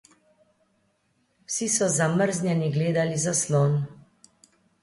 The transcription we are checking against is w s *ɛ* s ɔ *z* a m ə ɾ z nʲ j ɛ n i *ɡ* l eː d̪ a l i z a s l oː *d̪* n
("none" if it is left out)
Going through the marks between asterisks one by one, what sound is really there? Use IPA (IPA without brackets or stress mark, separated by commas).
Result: i, z, ɡ, none